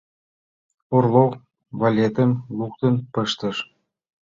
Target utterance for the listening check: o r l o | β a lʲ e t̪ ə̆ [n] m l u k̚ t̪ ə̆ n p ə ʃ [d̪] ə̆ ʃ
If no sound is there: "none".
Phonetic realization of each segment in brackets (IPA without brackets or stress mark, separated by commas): none, t̪